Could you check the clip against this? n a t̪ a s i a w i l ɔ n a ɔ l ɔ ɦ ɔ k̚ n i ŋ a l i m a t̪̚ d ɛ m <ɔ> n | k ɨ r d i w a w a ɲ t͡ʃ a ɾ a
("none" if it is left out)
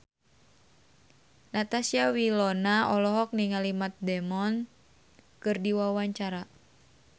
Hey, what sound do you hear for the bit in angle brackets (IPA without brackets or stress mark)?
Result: ɔ